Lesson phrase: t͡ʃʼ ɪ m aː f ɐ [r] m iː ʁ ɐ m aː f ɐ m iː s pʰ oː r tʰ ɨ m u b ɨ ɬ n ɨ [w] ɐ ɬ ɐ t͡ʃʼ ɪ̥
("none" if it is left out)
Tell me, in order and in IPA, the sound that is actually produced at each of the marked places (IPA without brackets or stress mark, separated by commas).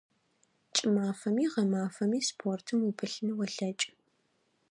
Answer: none, w